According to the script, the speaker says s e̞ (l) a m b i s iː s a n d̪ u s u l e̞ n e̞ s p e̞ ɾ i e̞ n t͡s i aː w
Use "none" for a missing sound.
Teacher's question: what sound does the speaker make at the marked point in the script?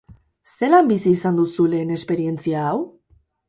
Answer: l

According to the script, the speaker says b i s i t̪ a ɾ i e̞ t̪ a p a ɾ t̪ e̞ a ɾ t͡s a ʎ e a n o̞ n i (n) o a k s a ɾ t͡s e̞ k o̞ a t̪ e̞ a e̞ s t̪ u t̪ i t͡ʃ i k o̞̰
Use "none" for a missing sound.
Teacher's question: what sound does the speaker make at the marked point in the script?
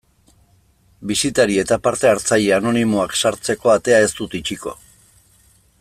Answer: m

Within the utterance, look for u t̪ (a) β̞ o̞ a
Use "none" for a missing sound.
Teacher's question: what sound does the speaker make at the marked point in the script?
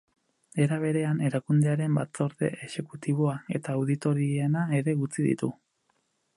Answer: i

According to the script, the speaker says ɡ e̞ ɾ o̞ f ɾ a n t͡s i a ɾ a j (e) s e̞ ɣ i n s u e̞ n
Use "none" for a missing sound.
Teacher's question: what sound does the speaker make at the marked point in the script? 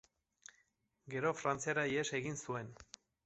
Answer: e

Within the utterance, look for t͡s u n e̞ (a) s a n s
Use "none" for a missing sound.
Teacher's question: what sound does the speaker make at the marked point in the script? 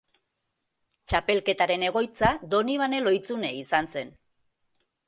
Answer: i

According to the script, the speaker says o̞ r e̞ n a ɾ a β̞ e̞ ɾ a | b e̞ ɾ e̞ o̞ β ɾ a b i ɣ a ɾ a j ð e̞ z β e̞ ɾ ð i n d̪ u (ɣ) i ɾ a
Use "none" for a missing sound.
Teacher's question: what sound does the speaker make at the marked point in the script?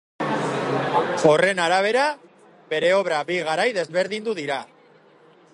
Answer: ð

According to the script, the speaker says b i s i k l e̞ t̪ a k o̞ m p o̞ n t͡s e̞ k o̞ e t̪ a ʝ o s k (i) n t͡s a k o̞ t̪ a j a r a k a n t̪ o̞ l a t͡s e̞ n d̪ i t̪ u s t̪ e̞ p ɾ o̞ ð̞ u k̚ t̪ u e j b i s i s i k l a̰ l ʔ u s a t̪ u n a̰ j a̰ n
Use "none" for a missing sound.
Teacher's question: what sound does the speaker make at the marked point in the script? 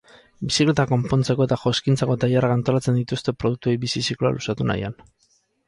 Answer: i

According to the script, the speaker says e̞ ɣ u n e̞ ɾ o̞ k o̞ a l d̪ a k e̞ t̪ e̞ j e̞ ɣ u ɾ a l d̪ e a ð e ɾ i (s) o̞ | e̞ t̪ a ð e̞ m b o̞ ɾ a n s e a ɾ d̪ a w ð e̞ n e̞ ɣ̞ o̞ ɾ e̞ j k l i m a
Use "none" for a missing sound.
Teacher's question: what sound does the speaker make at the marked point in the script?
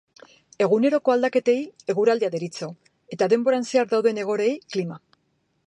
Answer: t͡s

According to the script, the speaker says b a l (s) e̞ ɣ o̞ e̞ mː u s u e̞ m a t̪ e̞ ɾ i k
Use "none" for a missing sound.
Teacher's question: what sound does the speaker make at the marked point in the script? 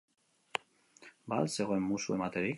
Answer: s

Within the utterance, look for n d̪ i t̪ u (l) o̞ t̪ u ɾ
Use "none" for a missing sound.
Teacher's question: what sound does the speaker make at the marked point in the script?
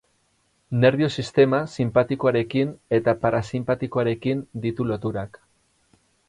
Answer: l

